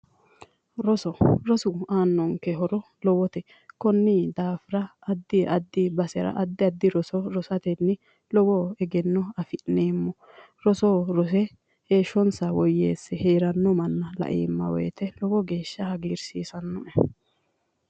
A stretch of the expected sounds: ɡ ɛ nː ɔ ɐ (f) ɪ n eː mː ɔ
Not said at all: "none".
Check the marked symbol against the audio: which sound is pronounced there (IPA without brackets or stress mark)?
f